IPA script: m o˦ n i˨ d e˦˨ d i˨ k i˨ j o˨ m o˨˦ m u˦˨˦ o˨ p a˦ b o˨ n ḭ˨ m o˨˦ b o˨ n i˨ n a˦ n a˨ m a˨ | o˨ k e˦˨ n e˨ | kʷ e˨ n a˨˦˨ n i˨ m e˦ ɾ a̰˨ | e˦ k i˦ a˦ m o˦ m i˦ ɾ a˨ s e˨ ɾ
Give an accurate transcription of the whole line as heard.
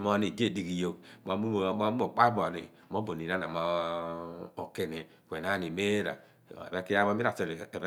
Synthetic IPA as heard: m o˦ n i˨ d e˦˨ d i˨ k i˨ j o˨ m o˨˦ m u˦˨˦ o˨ k͡p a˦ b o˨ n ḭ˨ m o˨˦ b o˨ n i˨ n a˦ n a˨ m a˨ | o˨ k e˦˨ n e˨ | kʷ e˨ n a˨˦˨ n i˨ m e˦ ɾ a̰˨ | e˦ k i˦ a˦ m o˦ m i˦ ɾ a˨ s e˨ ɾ